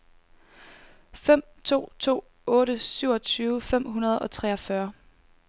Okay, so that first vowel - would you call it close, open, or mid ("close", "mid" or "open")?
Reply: mid